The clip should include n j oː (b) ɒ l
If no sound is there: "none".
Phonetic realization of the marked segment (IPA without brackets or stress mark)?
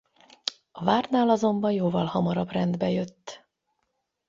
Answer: v